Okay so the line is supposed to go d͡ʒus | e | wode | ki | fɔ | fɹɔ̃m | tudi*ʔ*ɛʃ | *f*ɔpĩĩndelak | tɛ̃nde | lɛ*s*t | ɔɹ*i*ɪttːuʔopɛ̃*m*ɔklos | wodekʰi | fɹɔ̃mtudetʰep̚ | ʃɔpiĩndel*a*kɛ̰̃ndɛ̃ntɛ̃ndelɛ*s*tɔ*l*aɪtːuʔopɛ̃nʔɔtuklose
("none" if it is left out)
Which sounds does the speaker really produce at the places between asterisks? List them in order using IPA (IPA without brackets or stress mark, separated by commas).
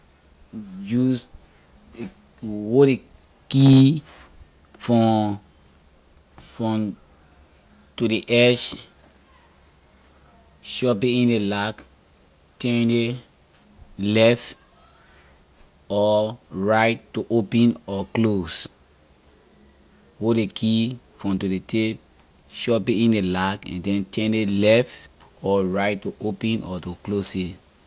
ʔ, ʃ, f, a, n, a, f, ɹ